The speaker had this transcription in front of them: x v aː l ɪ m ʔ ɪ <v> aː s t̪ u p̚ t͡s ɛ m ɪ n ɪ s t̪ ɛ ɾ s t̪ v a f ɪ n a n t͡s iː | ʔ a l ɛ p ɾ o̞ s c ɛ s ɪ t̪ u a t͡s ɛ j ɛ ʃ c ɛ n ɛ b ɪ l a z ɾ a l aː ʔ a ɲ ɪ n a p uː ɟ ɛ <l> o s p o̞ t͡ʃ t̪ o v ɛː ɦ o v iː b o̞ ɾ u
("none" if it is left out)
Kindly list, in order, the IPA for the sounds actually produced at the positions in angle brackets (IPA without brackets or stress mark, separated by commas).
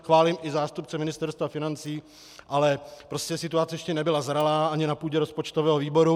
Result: z, ɾ